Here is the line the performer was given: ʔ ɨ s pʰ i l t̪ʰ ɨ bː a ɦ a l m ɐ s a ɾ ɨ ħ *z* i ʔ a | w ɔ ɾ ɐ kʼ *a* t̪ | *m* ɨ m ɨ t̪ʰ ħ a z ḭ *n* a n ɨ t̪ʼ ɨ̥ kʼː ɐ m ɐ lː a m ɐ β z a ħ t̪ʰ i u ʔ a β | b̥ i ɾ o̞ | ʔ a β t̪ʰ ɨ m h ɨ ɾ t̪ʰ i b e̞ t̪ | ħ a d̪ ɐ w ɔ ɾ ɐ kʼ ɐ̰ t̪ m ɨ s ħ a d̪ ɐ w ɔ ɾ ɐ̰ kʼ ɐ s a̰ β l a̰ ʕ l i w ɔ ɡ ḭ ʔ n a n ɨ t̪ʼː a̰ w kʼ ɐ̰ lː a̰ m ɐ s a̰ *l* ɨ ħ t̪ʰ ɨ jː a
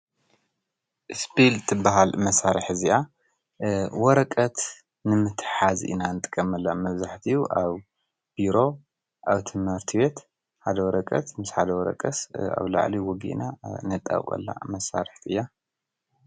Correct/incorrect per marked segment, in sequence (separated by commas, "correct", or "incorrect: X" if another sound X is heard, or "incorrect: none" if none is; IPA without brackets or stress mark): correct, incorrect: ɐ, incorrect: n, correct, incorrect: ɾ